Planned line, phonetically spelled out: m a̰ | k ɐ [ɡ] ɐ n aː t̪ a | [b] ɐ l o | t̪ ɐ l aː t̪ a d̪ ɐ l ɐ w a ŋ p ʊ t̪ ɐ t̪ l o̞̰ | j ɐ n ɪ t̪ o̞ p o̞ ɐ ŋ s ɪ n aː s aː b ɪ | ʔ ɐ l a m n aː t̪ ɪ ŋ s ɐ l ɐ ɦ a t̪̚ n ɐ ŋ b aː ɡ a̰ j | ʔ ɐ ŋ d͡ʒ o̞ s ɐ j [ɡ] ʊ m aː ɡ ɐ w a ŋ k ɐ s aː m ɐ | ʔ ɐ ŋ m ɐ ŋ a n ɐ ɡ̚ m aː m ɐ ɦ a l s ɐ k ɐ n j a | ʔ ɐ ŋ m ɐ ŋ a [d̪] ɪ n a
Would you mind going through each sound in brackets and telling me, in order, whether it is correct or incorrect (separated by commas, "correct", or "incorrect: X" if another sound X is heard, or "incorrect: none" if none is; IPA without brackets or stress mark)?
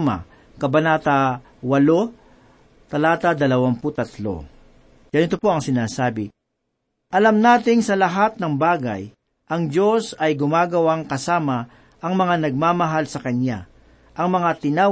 incorrect: b, incorrect: w, correct, incorrect: t̪